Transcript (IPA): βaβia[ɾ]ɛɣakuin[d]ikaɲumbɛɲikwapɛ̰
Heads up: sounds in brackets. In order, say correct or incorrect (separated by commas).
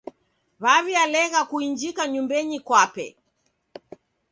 incorrect, incorrect